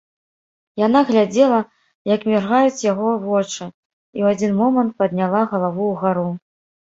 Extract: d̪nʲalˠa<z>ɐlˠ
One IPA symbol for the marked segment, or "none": ɣ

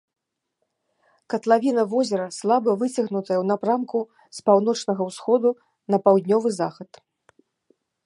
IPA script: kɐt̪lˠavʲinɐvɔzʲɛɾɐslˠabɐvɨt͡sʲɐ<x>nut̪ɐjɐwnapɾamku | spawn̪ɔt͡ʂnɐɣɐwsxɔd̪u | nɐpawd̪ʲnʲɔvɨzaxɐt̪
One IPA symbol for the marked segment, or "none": ɣ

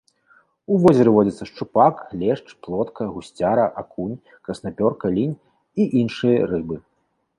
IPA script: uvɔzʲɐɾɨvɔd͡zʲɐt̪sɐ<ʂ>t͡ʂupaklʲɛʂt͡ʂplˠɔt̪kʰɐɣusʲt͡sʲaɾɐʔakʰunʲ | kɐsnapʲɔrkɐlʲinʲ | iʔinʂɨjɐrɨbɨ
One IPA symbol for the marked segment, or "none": ʂ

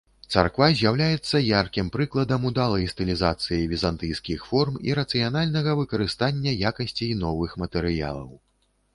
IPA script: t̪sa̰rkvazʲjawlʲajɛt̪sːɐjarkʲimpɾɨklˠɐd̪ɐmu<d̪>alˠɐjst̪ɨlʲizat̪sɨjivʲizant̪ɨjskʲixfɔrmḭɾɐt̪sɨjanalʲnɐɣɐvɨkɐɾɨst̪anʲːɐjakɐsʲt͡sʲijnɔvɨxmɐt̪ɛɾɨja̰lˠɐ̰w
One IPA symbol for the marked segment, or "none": d̪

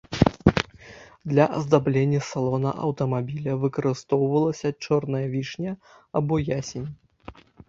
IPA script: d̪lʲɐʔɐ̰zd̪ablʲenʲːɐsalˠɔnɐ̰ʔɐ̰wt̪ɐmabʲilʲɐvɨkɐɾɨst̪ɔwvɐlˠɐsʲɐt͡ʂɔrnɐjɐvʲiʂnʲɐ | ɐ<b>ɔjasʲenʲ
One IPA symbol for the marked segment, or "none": b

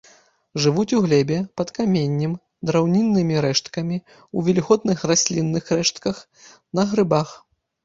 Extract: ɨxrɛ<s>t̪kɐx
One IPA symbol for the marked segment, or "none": ʂ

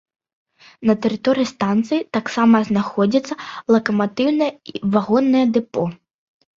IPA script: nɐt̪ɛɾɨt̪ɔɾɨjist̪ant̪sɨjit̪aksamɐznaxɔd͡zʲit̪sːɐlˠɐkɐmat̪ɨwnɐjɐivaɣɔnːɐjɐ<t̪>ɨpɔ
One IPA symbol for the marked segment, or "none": d̪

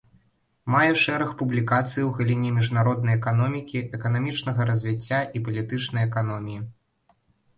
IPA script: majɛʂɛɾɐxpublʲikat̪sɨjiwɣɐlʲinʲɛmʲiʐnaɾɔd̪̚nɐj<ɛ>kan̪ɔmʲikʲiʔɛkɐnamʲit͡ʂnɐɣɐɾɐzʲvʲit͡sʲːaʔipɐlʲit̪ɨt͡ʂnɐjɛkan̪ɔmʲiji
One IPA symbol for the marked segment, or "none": ɛ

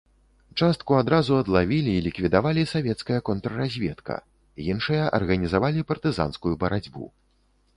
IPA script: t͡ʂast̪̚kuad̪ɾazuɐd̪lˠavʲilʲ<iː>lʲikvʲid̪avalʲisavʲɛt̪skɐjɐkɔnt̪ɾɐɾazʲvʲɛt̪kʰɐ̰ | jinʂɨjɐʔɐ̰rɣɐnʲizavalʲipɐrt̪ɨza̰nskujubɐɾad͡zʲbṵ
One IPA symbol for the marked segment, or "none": iː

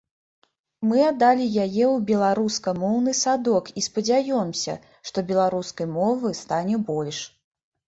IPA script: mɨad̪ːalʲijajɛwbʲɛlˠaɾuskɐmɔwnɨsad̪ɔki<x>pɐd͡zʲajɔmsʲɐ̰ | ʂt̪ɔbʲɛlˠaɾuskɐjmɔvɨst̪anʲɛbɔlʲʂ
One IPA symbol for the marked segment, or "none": s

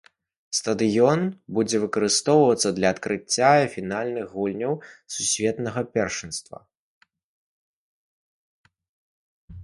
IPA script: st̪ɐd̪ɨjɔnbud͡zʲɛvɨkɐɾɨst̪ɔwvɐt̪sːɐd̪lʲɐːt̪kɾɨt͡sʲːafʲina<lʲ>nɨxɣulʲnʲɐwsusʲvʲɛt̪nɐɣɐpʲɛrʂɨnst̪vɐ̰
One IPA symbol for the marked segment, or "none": lʲ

